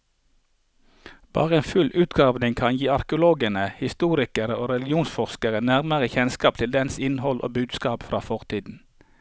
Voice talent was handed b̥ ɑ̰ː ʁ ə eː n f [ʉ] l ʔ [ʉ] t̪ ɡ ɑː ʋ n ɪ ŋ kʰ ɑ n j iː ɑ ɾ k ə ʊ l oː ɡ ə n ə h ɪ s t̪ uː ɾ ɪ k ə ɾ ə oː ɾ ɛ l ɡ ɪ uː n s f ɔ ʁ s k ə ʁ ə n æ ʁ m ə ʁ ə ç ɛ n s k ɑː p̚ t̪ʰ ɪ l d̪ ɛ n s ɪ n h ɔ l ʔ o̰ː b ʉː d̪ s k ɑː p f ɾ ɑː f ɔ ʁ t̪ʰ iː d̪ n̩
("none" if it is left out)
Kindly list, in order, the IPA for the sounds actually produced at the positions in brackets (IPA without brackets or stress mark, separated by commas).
ʉ, ʉː